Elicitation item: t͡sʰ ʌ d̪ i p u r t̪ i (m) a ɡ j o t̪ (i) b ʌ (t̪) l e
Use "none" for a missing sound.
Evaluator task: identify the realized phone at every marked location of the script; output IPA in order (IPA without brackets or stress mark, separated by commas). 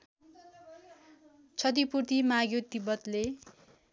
m, i, t̪